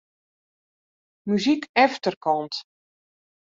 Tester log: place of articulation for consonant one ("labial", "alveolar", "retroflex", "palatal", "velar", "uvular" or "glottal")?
labial